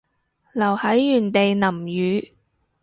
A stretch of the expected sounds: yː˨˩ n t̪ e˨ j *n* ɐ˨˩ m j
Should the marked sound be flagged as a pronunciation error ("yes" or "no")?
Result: no